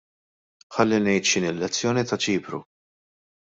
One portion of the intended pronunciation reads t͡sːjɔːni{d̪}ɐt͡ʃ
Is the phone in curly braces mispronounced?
yes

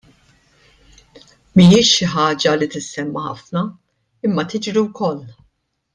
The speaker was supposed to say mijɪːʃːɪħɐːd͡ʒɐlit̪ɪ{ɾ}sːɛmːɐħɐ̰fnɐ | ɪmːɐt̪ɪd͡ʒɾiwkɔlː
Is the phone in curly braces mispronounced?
yes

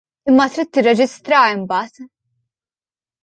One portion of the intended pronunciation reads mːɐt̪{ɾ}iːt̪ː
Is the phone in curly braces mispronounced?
no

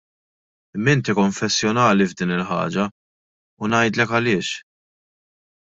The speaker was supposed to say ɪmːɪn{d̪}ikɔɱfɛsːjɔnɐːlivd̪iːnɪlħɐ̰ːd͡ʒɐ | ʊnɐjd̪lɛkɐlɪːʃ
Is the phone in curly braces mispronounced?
yes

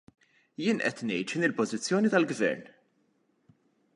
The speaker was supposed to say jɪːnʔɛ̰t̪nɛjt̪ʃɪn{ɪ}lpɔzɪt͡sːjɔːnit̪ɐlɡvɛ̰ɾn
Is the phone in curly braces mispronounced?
no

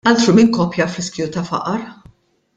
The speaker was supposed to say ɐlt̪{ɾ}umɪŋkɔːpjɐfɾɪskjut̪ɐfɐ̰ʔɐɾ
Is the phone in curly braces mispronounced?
no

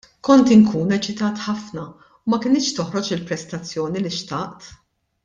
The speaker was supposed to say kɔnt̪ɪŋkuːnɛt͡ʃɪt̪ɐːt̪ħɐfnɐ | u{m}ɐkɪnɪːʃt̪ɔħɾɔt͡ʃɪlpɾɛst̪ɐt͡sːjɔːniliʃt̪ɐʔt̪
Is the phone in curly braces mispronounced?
no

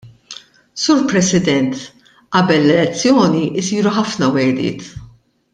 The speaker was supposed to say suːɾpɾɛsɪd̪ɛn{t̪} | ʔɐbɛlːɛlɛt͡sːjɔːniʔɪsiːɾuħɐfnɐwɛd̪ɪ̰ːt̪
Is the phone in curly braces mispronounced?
no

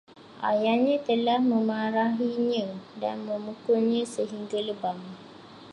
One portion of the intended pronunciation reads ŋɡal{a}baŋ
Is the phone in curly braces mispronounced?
yes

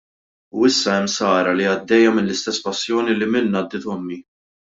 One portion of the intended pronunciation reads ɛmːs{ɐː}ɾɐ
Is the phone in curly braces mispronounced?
no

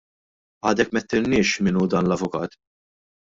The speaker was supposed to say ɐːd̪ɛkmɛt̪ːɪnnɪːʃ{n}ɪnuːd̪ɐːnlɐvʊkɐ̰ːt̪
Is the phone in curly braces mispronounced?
yes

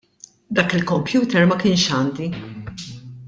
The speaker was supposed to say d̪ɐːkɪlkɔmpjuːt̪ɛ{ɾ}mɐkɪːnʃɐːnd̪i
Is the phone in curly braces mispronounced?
no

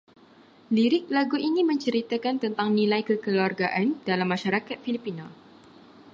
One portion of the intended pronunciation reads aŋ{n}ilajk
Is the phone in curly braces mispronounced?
no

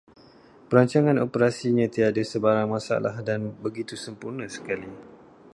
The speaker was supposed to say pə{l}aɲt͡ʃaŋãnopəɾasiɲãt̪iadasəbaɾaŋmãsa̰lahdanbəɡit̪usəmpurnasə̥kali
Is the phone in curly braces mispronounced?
yes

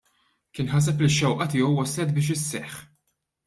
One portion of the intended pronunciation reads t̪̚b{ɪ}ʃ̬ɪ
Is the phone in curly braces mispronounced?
yes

